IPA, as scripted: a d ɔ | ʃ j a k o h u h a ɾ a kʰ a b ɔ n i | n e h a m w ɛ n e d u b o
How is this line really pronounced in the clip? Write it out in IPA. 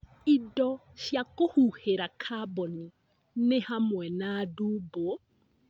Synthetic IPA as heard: i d ɔ | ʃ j a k o h u h e ɾ a kʰ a b ɔ n i | n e h a m w ɛ n a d u b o